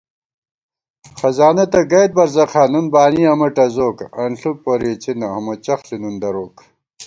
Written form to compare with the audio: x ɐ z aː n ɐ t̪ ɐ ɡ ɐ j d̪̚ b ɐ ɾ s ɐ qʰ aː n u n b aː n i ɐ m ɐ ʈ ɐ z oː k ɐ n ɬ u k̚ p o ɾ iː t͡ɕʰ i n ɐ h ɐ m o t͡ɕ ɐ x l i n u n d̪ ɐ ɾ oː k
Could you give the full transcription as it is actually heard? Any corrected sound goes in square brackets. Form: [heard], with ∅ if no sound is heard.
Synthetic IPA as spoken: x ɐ z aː n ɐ t̪ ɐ ɡ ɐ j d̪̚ b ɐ ɾ [z] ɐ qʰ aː n u n b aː n i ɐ m ɐ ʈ ɐ z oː k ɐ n ɬ u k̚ p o ɾ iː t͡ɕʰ i n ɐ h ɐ m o t͡ɕ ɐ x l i n u n d̪ ɐ ɾ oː k